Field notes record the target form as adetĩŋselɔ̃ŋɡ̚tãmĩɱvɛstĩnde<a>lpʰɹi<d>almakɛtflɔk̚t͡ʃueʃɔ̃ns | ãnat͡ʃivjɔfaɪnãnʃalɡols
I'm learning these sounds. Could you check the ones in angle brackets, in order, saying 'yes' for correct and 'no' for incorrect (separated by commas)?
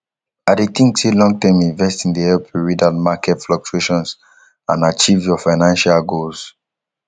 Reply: no, yes